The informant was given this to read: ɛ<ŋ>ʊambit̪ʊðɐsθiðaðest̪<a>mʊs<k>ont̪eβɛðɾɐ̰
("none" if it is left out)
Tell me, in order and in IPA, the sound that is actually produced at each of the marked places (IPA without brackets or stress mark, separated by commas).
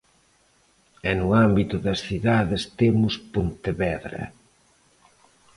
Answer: n, e, p